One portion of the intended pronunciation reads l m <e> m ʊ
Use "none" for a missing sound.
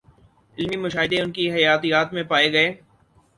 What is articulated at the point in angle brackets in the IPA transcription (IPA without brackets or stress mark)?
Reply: i